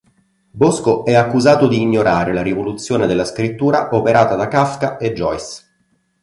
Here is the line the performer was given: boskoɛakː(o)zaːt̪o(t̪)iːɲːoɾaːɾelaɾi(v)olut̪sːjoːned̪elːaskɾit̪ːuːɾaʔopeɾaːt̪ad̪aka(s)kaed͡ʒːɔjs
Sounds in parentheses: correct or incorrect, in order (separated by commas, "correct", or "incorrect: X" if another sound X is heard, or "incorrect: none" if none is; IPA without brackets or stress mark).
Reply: incorrect: u, incorrect: d̪, correct, incorrect: f